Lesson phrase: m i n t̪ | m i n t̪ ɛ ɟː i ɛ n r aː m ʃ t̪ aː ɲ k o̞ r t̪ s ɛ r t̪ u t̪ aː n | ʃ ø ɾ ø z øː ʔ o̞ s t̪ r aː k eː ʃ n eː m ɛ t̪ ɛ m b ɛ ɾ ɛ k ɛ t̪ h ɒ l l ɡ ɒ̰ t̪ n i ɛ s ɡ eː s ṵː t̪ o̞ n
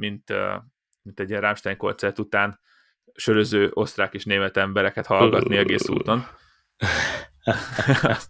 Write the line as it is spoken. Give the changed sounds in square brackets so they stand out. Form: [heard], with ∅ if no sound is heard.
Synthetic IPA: m i n t̪ | m i n t̪ ɛ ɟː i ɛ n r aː m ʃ t̪ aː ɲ k o̞ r t̪ s ɛ r t̪ u t̪ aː n | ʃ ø ɾ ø z øː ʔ o̞ s t̪ r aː k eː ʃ n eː m ɛ t̪ ɛ m b ɛ ɾ ɛ k ɛ t̪ h ɒ l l ɡ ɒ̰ t̪ n i ɛ [∅] ɡ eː s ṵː t̪ o̞ n